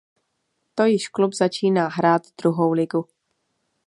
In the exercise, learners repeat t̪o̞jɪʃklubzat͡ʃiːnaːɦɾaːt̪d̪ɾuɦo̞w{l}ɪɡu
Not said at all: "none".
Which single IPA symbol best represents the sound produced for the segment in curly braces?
l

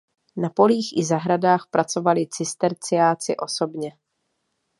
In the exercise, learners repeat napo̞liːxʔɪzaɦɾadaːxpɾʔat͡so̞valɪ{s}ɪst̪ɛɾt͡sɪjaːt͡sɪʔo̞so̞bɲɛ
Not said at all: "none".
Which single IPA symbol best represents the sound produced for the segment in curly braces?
t͡s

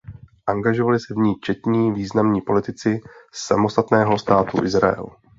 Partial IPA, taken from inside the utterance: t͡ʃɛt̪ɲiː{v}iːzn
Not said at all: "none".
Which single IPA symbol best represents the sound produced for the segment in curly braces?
v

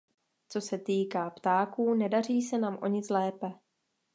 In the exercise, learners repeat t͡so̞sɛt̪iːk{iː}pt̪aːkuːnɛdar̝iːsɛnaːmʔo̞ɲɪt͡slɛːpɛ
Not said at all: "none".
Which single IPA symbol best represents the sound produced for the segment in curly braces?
aː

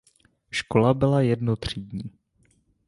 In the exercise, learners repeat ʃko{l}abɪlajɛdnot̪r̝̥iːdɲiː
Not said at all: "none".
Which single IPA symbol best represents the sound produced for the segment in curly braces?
l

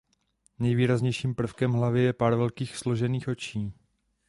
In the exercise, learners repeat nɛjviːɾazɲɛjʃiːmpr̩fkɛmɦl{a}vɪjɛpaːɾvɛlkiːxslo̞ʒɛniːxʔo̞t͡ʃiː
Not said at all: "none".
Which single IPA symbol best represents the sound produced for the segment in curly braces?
a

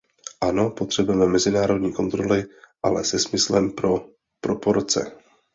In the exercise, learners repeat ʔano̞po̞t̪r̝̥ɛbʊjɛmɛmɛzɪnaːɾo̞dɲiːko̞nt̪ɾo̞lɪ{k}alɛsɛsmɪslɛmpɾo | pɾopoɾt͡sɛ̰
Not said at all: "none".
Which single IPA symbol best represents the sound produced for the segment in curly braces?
ʔ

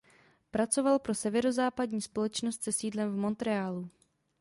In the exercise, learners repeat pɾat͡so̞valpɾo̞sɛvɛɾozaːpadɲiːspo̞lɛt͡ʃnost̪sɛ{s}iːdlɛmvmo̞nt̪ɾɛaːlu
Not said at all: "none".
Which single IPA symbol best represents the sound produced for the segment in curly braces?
s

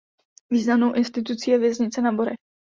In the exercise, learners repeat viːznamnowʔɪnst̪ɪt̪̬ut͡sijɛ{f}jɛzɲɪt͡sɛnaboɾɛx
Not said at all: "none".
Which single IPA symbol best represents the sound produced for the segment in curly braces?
v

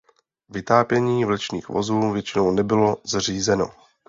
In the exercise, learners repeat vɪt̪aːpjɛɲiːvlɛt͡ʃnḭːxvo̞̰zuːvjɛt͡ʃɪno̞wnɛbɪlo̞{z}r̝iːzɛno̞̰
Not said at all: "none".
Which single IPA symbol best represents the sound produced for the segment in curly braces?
z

